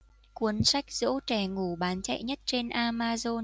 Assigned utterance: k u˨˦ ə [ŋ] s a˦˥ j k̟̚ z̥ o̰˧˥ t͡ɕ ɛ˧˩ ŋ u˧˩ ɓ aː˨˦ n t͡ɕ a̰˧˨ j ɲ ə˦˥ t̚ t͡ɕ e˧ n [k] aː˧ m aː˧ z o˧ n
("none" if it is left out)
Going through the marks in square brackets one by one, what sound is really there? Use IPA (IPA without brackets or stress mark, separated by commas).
n, ʔ